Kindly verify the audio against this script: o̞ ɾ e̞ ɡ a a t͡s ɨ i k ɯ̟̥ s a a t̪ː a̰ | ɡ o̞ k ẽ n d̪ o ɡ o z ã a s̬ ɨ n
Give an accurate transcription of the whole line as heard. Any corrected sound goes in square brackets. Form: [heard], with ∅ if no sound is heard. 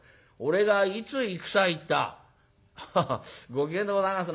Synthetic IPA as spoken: o̞ ɾ e̞ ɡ a [i] t͡s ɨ i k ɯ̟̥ s a [i] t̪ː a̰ | ɡ o̞ k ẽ n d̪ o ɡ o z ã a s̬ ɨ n